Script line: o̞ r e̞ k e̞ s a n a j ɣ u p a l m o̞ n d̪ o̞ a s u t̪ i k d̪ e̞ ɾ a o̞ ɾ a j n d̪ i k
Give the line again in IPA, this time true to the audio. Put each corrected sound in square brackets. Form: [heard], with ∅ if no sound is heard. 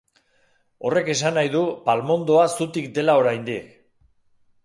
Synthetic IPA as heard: o̞ r e̞ k e̞ s a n a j [ð] u p a l m o̞ n d̪ o̞ a s u t̪ i k d̪ e̞ [l] a o̞ ɾ a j n d̪ i k